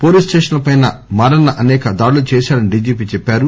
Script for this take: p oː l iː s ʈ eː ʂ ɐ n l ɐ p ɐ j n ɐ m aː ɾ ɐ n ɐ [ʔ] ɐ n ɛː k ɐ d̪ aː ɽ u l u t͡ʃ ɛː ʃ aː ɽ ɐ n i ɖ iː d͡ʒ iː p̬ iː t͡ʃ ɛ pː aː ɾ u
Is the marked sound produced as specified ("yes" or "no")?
yes